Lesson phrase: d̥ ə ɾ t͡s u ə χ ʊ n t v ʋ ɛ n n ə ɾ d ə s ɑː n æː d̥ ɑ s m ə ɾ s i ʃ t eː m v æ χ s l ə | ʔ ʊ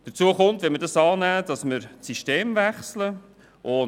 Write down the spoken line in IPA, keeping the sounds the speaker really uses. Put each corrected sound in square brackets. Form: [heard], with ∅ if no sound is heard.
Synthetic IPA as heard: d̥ ə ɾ t͡s u ə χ ʊ n t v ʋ ɛ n [m] ə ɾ d [ɑ] s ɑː n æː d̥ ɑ s m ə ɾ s i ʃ t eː m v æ χ s l ə | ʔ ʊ